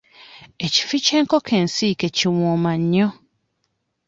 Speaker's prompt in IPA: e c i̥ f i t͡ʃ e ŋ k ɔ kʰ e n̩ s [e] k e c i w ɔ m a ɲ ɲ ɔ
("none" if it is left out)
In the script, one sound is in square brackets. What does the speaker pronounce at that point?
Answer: i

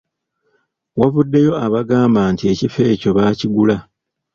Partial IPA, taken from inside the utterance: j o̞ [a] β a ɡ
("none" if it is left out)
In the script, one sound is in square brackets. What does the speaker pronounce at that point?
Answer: a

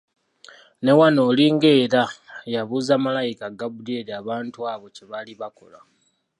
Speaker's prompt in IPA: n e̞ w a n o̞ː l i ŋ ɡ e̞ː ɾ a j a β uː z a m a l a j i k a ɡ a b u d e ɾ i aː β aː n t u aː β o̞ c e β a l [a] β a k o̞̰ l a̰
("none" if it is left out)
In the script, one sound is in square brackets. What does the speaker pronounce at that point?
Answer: i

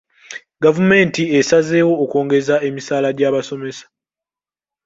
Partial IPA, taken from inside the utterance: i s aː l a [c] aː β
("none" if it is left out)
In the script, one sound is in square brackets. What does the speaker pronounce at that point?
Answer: ɟ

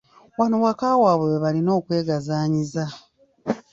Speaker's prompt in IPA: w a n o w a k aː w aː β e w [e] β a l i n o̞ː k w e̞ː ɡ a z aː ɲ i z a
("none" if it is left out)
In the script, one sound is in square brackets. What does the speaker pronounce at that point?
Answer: e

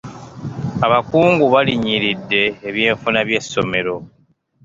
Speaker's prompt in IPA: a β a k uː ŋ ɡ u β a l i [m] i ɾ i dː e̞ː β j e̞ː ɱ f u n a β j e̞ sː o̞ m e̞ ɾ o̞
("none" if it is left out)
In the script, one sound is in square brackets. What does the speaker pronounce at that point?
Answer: ɲ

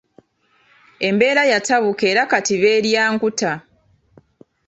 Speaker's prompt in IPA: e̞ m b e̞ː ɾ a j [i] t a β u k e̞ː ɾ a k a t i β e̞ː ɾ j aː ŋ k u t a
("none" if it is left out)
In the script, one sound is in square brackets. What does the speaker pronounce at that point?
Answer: a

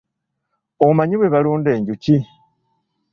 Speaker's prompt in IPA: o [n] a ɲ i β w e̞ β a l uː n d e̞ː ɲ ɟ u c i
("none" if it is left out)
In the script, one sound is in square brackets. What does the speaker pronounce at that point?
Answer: m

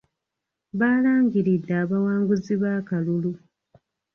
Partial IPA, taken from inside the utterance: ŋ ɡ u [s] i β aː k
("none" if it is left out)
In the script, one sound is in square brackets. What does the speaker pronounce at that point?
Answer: z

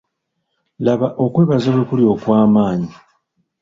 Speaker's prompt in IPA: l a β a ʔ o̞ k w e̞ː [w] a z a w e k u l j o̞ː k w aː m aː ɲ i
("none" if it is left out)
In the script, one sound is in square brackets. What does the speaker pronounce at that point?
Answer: β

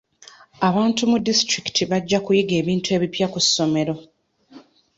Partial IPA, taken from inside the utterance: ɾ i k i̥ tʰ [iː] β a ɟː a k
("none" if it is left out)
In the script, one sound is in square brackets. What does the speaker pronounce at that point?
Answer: i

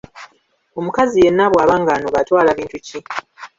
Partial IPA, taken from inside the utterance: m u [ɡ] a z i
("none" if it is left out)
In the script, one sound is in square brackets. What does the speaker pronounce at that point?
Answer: k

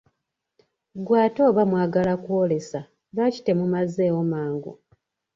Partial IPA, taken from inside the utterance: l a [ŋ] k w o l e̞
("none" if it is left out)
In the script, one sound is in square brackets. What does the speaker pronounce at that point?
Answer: none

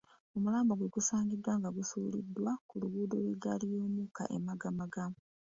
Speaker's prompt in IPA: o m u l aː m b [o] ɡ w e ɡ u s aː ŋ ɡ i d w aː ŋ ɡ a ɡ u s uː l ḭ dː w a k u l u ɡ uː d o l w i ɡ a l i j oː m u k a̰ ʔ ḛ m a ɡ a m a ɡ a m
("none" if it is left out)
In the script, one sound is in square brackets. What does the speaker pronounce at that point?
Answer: o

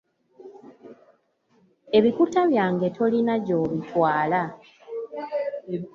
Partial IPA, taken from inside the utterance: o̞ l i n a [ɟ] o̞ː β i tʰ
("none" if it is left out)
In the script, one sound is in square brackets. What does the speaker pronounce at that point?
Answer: ɟ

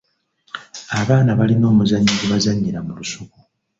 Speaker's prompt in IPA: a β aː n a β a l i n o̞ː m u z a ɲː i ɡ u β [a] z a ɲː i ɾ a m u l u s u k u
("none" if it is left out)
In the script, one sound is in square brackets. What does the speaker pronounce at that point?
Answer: a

